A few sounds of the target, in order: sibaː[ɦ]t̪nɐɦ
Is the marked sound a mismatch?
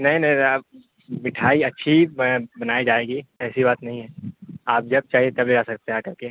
yes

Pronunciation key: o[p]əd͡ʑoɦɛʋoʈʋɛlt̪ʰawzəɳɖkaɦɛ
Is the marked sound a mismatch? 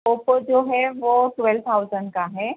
no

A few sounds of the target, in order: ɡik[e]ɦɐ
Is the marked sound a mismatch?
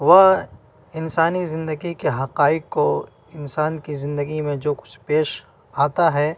no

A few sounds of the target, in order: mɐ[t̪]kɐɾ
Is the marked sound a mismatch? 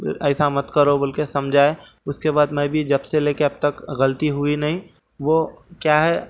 no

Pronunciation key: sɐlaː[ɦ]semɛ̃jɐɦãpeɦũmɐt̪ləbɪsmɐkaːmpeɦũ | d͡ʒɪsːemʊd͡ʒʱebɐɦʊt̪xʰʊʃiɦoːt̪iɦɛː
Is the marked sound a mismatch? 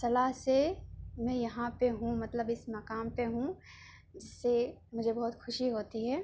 no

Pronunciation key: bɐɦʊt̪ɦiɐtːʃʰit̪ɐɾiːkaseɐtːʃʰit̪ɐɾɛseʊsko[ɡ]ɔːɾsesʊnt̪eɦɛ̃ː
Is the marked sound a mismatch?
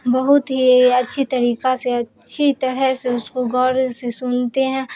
no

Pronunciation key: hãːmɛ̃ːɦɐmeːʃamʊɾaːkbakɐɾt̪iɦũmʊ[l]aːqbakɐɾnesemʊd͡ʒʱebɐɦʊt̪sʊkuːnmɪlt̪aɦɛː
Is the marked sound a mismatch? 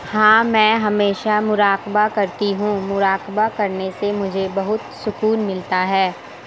yes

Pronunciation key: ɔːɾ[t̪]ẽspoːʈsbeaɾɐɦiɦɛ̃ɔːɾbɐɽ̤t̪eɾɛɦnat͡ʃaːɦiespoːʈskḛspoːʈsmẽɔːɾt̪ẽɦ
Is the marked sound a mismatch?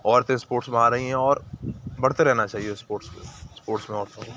no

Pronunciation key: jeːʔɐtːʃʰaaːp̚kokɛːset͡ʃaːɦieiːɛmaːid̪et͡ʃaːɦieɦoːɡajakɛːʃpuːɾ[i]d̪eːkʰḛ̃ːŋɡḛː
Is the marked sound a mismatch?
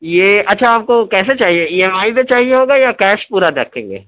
yes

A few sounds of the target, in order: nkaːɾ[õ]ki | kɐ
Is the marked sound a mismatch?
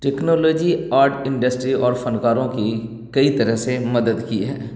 no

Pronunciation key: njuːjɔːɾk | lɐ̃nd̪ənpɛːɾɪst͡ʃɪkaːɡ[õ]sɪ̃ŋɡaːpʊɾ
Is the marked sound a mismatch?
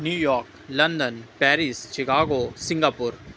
yes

